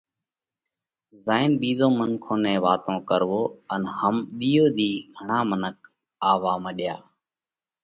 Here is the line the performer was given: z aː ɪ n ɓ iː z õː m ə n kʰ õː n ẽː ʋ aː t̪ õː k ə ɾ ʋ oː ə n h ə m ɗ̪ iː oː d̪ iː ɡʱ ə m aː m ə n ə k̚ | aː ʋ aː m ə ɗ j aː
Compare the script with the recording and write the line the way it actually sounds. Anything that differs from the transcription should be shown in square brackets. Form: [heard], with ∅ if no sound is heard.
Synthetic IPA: z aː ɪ n ɓ iː z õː m ə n kʰ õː n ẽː ʋ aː t̪ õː k ə ɾ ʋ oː ə n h ə m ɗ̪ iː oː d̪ iː ɡʱ ə [ɳ] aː m ə n ə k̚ | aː ʋ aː m ə ɗ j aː